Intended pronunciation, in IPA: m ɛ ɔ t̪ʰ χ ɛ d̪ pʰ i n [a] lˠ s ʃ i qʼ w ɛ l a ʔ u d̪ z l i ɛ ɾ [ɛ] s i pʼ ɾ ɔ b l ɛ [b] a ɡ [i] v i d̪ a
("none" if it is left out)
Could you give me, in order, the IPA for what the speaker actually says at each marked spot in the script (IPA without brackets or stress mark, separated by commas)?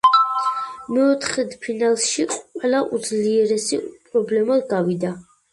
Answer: a, ɛ, m, a